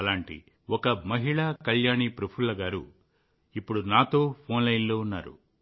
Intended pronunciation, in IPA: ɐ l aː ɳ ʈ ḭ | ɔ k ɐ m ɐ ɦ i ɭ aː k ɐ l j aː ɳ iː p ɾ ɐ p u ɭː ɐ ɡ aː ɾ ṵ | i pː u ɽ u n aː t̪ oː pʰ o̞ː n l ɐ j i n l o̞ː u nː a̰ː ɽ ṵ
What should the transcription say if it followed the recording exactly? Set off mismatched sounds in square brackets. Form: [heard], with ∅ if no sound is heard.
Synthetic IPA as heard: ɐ l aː ɳ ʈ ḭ | ɔ k ɐ m ɐ ɦ i ɭ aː k ɐ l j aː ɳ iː p ɾ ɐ [pʰ] u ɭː ɐ ɡ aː ɾ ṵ | i pː u ɽ u n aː t̪ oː pʰ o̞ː n l ɐ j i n l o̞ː u nː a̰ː [ɾ] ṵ